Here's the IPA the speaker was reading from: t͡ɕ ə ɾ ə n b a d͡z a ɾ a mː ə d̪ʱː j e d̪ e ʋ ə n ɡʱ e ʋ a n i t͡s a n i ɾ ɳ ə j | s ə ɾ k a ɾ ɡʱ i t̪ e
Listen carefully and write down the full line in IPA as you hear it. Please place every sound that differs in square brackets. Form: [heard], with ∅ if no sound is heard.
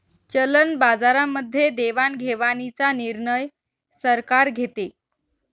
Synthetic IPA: t͡ɕ ə [l] ə n b a d͡z a ɾ a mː ə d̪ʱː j e d̪ e ʋ [a] n ɡʱ e ʋ a n i t͡s a n i ɾ ɳ ə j | s ə ɾ k a ɾ ɡʱ [e] t̪ e